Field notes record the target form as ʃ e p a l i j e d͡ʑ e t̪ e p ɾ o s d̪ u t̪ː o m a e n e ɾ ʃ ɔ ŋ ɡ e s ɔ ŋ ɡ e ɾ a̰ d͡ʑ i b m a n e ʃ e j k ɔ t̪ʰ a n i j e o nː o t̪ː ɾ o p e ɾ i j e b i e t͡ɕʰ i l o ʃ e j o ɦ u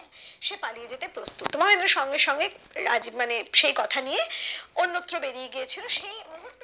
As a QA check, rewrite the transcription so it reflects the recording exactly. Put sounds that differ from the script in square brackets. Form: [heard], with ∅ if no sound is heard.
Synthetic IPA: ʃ e p a l i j e d͡ʑ e t̪ e p ɾ o s [t̪] u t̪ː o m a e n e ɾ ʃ ɔ ŋ ɡ e [ʃ] ɔ ŋ ɡ e ɾ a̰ d͡ʑ i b m a n e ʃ e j k ɔ t̪ʰ a n i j e o nː o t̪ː ɾ o [b] e ɾ i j e [ɡ] i e t͡ɕʰ i l o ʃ e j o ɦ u